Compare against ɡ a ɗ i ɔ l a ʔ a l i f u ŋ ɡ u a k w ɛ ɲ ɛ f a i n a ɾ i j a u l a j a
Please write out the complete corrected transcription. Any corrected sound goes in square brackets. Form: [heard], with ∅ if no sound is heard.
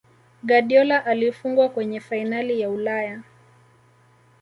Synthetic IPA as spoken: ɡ a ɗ i ɔ l a ʔ a l i f u ŋ ɡ [w] a k w ɛ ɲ ɛ f a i n a [l] i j a u l a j a